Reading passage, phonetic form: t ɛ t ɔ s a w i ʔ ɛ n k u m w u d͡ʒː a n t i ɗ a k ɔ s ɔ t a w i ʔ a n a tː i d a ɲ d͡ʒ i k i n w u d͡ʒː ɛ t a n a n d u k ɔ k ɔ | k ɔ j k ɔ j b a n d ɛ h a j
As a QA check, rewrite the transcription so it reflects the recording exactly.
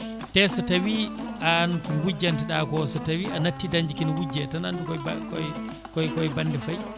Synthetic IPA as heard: t ɛ s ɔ t a w i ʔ a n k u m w u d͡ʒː a n t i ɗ a k ɔ s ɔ t a w i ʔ a n a tː i d a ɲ d͡ʒ i k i n w u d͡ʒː ɛ t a n a n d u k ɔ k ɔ | k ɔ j k ɔ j b a n d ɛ f a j